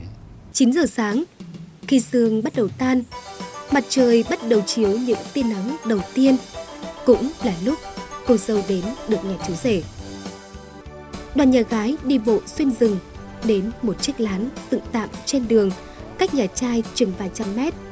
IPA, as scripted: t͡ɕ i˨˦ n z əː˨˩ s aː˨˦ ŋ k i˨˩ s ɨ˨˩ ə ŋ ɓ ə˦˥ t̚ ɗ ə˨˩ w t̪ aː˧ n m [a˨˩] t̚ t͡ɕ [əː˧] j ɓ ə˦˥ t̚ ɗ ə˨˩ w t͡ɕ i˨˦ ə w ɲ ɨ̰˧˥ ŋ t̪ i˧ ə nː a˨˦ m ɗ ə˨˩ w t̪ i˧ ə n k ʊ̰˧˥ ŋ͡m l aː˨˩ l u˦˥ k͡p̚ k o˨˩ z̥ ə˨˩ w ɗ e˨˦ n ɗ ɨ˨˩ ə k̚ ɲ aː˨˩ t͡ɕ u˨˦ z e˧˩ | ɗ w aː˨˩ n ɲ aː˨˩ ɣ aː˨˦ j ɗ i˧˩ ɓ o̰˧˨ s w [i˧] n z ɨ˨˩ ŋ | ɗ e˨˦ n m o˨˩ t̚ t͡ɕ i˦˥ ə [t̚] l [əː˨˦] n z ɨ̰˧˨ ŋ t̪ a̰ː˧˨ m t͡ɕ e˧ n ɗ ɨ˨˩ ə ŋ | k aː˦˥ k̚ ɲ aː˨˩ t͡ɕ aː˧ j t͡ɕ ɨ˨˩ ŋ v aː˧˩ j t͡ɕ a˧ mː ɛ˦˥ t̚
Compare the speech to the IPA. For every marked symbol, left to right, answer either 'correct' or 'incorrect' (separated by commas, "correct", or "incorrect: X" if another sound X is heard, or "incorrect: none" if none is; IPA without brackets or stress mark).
correct, incorrect: əː˨˩, correct, incorrect: k̚, incorrect: aː˨˦